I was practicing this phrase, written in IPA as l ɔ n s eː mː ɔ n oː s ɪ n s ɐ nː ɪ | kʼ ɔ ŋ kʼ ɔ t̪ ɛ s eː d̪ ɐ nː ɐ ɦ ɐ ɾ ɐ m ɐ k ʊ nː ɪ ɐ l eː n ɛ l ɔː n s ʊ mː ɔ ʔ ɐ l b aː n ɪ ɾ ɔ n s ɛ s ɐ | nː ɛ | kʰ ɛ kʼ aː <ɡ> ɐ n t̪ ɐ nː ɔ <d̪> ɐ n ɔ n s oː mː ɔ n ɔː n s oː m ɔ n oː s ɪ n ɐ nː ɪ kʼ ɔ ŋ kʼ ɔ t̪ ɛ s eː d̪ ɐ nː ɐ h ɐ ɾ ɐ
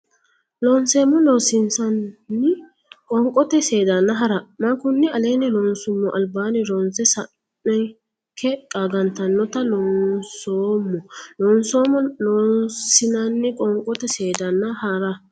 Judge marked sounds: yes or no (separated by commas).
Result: yes, no